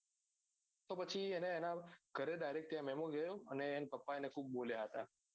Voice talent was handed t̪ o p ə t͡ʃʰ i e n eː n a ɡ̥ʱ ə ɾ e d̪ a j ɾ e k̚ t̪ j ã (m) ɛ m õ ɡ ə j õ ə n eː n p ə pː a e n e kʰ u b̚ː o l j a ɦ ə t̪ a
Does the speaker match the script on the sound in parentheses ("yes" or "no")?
yes